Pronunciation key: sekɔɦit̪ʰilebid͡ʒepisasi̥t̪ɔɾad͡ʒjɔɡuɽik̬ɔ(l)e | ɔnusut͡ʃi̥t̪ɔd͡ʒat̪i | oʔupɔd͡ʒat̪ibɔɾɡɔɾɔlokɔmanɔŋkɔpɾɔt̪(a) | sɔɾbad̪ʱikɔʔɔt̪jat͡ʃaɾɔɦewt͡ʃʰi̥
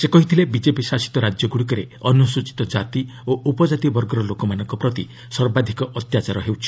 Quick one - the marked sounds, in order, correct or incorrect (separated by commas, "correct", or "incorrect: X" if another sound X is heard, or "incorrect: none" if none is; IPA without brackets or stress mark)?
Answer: incorrect: ɾ, incorrect: i